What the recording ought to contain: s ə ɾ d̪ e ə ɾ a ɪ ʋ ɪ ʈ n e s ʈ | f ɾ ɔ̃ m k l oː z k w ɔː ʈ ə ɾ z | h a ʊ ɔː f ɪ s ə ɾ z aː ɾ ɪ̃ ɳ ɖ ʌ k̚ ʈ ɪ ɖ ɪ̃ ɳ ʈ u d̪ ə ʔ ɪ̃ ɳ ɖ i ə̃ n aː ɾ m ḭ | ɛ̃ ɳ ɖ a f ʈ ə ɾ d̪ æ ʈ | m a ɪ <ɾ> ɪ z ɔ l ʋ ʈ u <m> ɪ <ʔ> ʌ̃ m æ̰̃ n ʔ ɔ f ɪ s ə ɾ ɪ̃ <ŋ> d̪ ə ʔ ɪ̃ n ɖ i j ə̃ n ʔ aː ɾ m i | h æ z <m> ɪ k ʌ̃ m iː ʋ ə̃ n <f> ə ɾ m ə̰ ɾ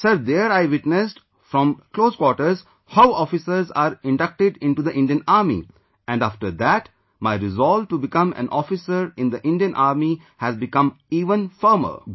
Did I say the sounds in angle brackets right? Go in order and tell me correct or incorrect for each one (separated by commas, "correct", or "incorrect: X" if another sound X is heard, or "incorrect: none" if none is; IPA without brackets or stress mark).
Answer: correct, incorrect: b, incorrect: k, incorrect: n, incorrect: b, correct